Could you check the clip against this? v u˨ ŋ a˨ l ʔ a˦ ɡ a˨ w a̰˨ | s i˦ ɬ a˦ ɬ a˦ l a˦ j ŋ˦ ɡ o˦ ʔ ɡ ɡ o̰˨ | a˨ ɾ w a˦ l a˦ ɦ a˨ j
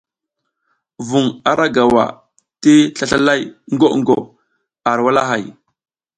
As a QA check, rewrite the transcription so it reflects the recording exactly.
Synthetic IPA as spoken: v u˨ ŋ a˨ ɾ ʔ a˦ ɡ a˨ w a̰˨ | t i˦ ɬ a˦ ɬ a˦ l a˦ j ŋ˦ ɡ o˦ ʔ ŋ ɡ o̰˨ | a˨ ɾ w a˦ l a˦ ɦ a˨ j